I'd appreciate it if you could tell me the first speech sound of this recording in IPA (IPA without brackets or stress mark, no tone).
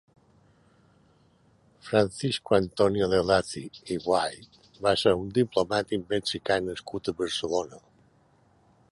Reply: f